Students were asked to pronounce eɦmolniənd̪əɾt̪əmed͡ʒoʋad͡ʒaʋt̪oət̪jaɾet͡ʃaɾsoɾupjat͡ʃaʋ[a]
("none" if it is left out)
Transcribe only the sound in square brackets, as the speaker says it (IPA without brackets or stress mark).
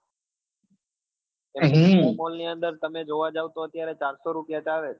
e